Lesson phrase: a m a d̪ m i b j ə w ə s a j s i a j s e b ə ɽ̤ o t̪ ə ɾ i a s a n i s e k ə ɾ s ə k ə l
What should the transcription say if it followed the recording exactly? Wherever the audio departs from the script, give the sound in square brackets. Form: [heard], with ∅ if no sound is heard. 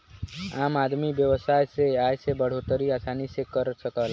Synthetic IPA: a m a d̪ m i b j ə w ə s a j s [e] a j s e b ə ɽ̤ o t̪ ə ɾ i a s a n i s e k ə ɾ s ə k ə l